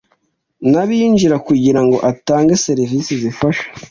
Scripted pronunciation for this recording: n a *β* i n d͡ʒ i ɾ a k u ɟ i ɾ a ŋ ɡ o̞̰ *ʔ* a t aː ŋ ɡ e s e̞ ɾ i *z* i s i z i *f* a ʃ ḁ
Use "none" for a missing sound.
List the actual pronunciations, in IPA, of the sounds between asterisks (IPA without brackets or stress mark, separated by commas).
β, ʔ, v, f